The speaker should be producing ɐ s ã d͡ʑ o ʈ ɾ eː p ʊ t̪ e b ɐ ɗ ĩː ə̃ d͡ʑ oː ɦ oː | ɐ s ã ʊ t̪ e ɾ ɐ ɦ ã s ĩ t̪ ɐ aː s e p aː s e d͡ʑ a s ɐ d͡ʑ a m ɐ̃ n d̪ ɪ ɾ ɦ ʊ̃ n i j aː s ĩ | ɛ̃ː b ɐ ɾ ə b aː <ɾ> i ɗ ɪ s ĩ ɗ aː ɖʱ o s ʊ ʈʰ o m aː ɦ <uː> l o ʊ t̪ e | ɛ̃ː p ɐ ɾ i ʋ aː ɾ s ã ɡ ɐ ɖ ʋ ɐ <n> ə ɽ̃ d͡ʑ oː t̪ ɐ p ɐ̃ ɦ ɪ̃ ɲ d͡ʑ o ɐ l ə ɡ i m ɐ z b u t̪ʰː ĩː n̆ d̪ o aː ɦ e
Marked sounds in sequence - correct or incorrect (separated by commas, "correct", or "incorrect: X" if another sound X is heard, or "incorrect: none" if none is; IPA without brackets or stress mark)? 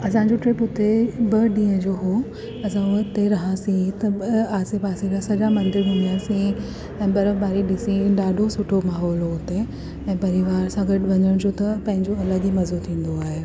correct, incorrect: ɔː, incorrect: ɲ